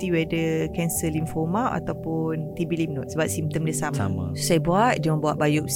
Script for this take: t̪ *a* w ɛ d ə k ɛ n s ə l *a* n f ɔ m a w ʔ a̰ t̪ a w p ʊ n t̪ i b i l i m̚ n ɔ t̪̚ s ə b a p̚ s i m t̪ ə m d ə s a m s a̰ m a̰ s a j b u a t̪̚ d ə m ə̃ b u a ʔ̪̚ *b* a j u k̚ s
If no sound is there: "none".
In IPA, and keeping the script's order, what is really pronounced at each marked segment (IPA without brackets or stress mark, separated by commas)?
i, i, b